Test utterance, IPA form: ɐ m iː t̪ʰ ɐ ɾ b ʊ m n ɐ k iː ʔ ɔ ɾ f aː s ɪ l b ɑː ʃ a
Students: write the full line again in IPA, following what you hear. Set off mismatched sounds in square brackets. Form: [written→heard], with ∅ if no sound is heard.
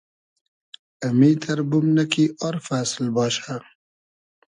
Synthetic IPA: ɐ m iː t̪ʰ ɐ ɾ b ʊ m n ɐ k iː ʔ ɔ ɾ f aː s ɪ l b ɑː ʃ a